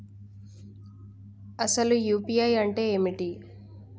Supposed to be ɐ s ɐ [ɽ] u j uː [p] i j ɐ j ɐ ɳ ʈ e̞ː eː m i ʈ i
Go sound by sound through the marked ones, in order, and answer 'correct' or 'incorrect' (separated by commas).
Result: incorrect, correct